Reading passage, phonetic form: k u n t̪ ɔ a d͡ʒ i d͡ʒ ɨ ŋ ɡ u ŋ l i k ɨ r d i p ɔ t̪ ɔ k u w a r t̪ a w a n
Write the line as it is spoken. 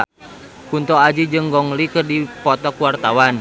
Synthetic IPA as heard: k u n t̪ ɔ a d͡ʒ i d͡ʒ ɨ ŋ ɡ ɔ ŋ l i k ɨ r d i p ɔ t̪ ɔ k u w a r t̪ a w a n